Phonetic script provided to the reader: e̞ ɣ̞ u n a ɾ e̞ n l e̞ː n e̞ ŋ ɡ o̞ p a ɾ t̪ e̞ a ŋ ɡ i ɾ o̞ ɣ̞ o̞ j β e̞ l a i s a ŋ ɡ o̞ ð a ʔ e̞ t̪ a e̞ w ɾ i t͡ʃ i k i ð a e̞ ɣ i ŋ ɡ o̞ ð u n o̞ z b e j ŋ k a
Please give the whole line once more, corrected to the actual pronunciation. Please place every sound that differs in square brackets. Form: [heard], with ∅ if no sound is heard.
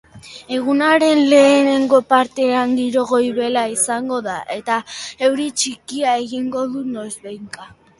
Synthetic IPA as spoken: e̞ ɣ̞ u n a ɾ e̞ n l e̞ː n e̞ ŋ ɡ o̞ p a ɾ t̪ e̞ a ŋ ɡ i ɾ o̞ ɣ̞ o̞ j β e̞ l a i s a ŋ ɡ o̞ ð a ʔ e̞ t̪ a e̞ w ɾ i t͡ʃ i k i [∅] a e̞ ɣ i ŋ ɡ o̞ ð u n o̞ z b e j ŋ k a